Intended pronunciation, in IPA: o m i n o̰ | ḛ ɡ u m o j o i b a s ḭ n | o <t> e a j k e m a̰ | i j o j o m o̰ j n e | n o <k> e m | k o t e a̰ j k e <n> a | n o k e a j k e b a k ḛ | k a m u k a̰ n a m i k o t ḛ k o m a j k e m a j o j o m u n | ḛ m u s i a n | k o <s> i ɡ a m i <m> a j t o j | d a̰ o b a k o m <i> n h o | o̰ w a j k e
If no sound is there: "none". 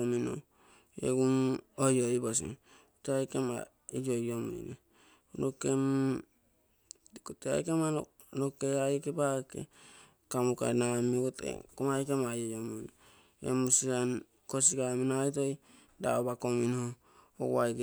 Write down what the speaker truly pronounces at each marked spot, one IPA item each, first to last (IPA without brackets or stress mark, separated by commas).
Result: t, k, m, s, n, i